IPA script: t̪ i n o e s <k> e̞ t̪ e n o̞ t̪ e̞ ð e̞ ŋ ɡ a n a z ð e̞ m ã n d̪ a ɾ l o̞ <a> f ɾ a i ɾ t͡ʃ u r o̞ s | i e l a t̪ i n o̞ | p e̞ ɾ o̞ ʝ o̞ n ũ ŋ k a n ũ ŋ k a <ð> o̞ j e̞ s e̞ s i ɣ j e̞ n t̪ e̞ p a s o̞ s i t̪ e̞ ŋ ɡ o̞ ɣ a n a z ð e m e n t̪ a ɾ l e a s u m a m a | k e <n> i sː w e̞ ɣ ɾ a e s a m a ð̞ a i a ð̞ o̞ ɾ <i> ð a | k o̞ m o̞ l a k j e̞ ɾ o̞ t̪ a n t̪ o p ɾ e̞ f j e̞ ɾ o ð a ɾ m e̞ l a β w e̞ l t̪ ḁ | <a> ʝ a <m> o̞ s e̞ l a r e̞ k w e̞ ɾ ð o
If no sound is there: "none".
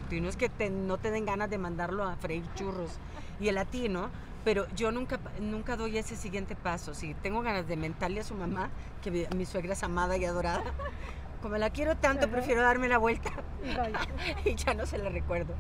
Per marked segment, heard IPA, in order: k, a, ð, m, a, i, n

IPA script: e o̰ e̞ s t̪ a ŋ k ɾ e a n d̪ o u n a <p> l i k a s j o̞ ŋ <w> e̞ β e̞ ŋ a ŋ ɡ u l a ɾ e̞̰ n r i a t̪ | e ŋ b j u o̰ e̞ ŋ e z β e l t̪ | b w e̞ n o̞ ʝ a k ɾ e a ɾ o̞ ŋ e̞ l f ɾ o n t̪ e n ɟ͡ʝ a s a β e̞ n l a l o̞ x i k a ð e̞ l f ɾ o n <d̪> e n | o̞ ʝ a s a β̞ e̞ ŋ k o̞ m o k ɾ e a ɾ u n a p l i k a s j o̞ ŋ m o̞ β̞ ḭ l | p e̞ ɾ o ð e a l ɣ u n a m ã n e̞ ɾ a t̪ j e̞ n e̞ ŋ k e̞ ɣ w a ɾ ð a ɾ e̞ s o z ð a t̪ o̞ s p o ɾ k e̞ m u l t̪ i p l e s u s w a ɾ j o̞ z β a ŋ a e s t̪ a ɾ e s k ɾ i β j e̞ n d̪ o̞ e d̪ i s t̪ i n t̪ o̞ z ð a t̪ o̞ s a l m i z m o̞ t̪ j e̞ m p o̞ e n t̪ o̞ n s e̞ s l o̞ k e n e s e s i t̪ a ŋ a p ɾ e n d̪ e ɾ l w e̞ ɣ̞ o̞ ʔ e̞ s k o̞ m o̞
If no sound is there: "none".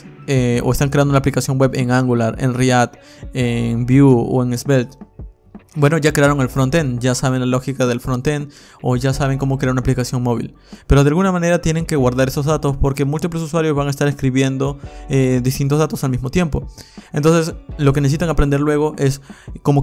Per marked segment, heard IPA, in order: p, w, t̪

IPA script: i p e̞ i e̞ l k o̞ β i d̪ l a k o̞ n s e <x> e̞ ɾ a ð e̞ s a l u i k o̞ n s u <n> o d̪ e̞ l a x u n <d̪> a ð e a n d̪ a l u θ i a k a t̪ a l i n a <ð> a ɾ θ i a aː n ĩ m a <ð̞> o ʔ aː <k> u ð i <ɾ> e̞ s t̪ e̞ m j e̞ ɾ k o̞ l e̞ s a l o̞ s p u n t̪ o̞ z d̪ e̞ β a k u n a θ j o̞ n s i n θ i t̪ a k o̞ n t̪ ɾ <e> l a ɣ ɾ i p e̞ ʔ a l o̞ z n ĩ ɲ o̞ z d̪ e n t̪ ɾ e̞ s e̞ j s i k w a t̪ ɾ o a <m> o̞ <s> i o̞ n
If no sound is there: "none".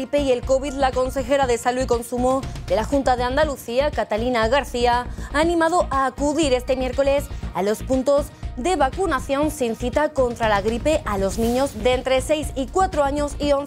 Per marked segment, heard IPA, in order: x, m, t̪, ɣ, ð̞, k, ɾ, a, ɲ, s

